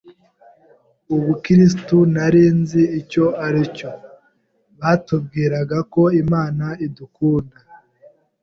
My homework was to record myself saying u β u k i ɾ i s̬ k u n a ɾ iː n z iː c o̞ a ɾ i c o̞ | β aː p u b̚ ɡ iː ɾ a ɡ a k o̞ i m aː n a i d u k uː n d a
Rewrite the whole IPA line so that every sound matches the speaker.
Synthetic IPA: u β u k i ɾ i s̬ t u n a ɾ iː n z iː c o̞ a ɾ i c o̞ | β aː t u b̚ ɡ iː ɾ a ɡ a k o̞ i m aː n a i d u k uː n d a